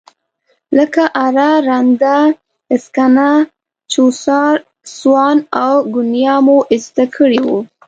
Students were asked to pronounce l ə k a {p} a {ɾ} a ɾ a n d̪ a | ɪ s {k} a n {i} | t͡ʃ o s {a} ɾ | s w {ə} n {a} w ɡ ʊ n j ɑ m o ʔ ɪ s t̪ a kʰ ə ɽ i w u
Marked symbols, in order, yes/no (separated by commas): no, yes, yes, no, no, no, yes